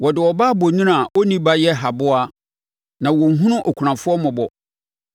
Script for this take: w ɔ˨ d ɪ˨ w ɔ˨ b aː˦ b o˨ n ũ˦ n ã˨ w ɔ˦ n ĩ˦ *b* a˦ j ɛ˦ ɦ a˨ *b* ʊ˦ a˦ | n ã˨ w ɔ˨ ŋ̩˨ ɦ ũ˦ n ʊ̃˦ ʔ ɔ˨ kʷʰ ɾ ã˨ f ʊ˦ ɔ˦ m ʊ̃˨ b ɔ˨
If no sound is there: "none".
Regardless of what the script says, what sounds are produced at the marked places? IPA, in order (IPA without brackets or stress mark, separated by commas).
b, b